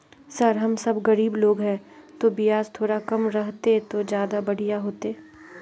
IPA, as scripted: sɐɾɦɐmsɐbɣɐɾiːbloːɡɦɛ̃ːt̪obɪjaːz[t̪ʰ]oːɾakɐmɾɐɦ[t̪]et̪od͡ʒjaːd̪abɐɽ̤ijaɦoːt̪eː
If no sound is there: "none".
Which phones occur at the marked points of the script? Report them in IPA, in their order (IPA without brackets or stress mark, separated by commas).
t̪ʰ, t̪